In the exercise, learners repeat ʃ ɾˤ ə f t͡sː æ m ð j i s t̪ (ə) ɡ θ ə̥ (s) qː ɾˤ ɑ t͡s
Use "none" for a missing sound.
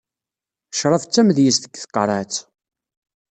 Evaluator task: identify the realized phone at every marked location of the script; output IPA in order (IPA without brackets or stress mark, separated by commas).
ə, none